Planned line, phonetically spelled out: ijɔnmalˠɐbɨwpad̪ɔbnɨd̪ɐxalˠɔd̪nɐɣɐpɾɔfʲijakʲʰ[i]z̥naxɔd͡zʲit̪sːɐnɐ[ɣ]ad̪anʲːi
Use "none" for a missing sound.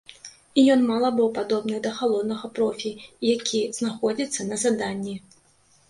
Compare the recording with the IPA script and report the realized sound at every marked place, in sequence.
i, z

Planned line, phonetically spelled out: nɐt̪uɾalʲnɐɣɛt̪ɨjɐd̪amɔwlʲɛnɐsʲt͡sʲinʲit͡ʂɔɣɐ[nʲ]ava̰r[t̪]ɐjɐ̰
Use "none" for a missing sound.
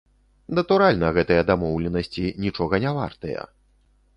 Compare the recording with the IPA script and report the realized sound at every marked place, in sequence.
nʲ, t̪

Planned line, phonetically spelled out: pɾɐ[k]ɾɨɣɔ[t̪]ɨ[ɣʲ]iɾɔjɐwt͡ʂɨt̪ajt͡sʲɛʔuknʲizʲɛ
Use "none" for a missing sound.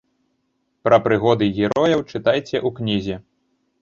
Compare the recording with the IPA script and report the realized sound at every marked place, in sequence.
p, d̪, ɣʲ

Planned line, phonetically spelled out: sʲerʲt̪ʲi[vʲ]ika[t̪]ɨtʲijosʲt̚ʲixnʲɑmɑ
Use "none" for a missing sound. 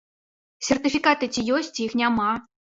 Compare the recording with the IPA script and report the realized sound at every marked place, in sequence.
fʲ, t̪

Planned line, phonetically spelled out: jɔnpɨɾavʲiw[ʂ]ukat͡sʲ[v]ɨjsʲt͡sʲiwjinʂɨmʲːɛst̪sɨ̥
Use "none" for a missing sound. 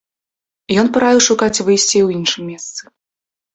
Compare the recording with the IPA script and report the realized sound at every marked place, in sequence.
ʂ, v

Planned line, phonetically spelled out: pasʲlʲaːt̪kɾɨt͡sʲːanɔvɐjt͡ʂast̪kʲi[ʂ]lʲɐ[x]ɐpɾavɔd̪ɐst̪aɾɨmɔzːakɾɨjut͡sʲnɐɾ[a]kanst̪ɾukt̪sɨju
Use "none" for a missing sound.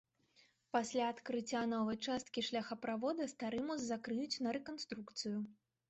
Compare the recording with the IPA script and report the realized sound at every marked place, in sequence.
ʂ, x, ɛ

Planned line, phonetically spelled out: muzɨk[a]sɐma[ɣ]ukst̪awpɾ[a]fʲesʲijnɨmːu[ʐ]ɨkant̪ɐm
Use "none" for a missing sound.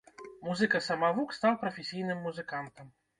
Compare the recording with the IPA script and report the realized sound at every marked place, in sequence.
ɐ, v, ɐ, z

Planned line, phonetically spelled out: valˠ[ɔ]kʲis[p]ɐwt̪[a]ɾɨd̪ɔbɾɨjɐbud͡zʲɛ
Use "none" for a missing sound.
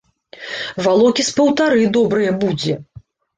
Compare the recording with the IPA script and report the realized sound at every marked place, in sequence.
ɔ, p, a

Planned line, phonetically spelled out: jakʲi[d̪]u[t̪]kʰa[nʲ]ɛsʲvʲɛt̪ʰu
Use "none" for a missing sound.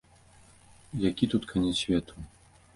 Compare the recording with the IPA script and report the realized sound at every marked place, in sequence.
t̪, t̪, nʲ

